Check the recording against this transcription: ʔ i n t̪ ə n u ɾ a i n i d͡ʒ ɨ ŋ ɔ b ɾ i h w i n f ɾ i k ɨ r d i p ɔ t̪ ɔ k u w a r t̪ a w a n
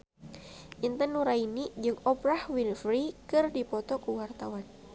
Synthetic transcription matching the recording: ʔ i n t̪ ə n u ɾ a i n i d͡ʒ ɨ ŋ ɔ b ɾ a h w i n f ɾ i k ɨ r d i p ɔ t̪ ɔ k u w a r t̪ a w a n

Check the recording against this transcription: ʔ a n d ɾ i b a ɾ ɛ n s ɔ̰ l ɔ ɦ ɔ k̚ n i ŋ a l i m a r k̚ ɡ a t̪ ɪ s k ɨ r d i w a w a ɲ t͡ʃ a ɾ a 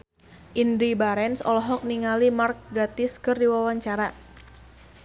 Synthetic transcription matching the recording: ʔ i n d ɾ i b a ɾ ɛ n s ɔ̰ l ɔ ɦ ɔ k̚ n i ŋ a l i m a r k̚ ɡ a t̪ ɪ s k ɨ r d i w a w a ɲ t͡ʃ a ɾ a

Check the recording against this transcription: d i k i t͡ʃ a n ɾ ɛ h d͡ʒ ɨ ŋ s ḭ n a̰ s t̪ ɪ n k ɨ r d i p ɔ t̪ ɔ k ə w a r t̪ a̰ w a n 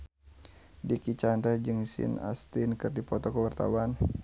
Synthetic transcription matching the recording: d i k i t͡ʃ a n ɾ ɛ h d͡ʒ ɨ ŋ s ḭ n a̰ s t̪ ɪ n k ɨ r d i p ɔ t̪ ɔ k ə w a r t̪ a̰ w a n

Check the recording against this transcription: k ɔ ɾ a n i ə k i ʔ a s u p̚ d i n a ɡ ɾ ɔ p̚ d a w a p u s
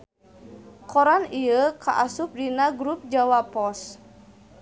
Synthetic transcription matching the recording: k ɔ ɾ a n i ə k a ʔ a s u p̚ d i n a ɡ ɾ u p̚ d͡ʒ a w a p ɔ s

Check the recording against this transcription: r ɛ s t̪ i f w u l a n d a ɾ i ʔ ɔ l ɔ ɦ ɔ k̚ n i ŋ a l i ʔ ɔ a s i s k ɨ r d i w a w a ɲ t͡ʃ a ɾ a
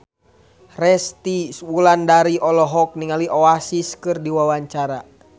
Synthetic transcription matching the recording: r ɛ s t̪ i s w u l a n d a ɾ i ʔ ɔ l ɔ ɦ ɔ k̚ n i ŋ a l i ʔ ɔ a s i s k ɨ r d i w a w a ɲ t͡ʃ a ɾ a

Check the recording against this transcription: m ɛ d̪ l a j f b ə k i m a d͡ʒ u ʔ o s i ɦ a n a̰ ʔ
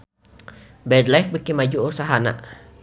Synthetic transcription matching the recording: b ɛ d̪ l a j f b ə k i m a d͡ʒ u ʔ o s a ɦ a n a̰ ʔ

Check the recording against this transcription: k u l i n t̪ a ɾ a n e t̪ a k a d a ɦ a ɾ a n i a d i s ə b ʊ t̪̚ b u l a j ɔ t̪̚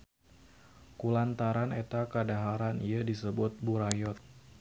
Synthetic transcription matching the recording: k u l a n t̪ a ɾ a n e t̪ a k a d a ɦ a ɾ a n i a d i s ə b ʊ t̪̚ b u ɾ a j ɔ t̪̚

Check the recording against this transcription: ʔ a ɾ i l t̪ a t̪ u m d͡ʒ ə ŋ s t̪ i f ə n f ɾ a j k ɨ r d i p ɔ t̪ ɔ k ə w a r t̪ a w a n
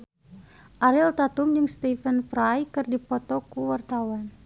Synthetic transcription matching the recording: ʔ a ɾ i l t̪ a t̪ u m d͡ʒ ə ŋ s t̪ i f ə n f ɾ a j k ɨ r d i p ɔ t̪ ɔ k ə w a r t̪ a w a n

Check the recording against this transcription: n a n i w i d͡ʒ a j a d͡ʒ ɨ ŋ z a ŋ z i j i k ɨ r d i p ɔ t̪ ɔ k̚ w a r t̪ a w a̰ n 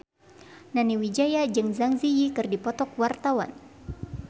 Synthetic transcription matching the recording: n a n i w i d͡ʒ a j a d͡ʒ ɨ ŋ z a ŋ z i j i k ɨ r d i p ɔ t̪ ɔ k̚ w a r t̪ a w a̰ n

